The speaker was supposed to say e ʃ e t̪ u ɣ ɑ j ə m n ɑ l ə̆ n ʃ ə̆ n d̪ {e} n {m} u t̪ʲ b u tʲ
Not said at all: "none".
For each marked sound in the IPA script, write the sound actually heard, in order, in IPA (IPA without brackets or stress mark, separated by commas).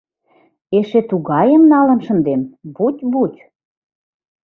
e, b